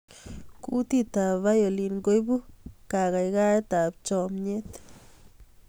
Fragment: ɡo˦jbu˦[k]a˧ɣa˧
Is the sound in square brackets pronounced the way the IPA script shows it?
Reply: yes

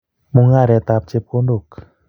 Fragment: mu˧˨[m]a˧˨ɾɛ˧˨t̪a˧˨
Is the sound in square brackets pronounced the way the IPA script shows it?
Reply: no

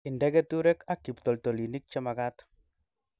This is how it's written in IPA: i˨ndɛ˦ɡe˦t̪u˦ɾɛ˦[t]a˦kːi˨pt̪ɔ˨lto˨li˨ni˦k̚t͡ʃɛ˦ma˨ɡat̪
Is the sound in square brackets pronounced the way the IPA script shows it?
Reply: no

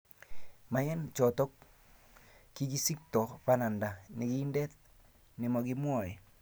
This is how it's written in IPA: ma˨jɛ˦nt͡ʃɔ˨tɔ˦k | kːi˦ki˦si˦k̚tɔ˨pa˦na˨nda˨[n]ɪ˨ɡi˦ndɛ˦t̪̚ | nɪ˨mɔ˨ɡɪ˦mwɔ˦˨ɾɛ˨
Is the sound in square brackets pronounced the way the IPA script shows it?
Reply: yes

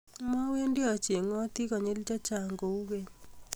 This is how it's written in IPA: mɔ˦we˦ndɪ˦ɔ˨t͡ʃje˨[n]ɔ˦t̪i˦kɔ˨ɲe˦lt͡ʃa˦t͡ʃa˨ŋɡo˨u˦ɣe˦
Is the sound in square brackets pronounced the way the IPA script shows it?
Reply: no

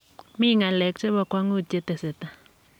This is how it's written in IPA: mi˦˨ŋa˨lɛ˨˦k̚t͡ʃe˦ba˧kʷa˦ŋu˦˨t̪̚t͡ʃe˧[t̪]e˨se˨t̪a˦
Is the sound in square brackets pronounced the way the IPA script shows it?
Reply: yes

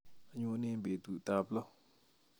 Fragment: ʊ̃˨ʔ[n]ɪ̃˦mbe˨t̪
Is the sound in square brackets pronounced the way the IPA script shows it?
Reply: yes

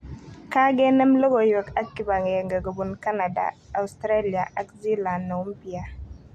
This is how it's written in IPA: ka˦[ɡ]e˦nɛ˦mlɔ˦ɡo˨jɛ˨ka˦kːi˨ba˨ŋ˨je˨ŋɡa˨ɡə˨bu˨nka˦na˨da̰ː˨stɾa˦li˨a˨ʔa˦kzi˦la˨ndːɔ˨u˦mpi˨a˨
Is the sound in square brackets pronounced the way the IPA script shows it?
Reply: yes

